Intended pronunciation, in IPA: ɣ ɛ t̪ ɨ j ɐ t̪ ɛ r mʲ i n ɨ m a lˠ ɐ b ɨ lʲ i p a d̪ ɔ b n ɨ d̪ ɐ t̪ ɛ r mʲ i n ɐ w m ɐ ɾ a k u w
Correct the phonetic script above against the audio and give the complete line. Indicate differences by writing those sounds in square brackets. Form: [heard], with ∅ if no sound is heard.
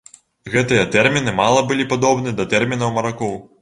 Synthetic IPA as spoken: ɣ ɛ t̪ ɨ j ɐ t̪ ɛ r mʲ i n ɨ m a lˠ ɐ b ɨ lʲ i p a d̪ ɔ b n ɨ d̪ ɐ t̪ ɛ r mʲ i n ɐ w m ɐ ɾ a k [ɔ] w